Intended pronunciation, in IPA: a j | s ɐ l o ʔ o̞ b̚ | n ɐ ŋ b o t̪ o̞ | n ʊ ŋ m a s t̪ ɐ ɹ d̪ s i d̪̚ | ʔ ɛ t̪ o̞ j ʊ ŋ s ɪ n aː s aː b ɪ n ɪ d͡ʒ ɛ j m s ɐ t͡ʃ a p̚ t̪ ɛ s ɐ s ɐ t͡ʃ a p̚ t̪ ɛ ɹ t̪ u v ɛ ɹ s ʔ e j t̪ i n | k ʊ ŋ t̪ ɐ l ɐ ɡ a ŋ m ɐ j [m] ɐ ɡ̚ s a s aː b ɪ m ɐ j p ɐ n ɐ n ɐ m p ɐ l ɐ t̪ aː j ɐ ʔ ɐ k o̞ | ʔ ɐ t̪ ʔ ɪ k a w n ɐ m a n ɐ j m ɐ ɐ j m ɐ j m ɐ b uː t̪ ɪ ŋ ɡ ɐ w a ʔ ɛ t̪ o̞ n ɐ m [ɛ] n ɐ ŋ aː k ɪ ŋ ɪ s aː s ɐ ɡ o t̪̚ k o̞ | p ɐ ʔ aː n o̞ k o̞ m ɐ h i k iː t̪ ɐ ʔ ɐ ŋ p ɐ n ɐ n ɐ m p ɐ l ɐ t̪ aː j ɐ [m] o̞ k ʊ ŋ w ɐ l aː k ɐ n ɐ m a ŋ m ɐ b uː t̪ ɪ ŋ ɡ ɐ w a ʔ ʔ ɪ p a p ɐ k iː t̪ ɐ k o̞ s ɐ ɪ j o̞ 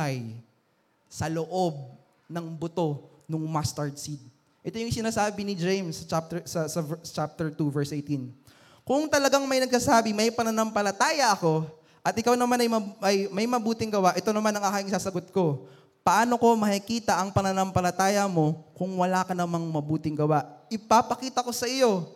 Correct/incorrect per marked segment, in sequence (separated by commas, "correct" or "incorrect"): incorrect, incorrect, correct